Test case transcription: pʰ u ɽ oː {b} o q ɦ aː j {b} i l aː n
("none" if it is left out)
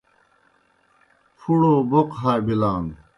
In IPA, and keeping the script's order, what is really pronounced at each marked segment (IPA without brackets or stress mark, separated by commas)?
b, b